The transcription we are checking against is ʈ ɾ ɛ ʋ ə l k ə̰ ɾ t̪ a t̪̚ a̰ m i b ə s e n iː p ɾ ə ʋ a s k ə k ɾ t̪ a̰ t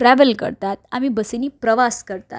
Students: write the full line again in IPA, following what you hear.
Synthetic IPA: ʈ ɾ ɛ ʋ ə l k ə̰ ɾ t̪ a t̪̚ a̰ m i b ə s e n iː p ɾ ə ʋ a s k ə ɾ t̪ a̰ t